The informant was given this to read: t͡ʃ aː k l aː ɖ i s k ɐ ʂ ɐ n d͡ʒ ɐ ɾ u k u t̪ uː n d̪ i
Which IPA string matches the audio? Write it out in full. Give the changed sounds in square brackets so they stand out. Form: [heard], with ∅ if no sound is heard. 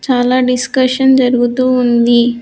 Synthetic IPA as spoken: t͡ʃ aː [∅] l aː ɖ i s k ɐ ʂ ɐ n d͡ʒ ɐ ɾ u [ɡ] u t̪ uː n d̪ i